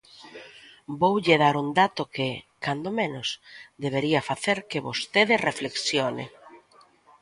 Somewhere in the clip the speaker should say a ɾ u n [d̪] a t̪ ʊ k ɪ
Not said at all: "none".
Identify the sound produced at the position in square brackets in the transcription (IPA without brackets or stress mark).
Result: d̪